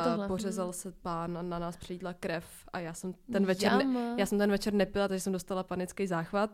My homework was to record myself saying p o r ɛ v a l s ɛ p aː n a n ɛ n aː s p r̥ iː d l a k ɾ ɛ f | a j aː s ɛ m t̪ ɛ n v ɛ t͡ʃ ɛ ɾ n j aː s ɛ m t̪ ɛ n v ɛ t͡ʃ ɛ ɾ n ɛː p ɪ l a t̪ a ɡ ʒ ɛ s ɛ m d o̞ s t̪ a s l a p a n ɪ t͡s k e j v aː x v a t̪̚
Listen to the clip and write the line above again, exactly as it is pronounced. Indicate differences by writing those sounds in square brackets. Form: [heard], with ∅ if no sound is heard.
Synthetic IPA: p o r ɛ [z] a l s ɛ p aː n a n [a] n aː s p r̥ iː d l a k ɾ ɛ f | a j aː s ɛ m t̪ ɛ n v ɛ t͡ʃ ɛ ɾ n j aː s ɛ m t̪ ɛ n v ɛ t͡ʃ ɛ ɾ n [ɛ] p ɪ l a t̪ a ɡ ʒ ɛ s ɛ m d o̞ s t̪ a [∅] l a p a n ɪ t͡s k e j [z] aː x v a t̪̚